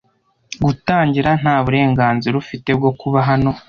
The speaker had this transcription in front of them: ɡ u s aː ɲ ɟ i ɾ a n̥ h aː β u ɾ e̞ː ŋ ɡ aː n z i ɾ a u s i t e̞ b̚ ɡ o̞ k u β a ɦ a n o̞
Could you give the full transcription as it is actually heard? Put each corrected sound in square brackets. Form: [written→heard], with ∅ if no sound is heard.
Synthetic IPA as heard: ɡ u [s→t] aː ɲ ɟ i ɾ a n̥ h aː β u ɾ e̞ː ŋ ɡ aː n z i ɾ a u [s→f] i t e̞ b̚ ɡ o̞ k u β a ɦ a n o̞